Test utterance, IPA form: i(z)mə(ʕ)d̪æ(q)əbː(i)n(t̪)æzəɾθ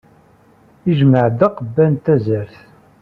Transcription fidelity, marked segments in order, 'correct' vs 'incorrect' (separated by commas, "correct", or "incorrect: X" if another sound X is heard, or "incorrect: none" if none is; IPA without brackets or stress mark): incorrect: ʒ, correct, correct, incorrect: æ, correct